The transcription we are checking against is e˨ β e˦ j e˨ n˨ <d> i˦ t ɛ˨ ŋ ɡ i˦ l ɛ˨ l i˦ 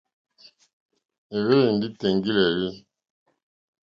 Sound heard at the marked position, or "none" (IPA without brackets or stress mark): d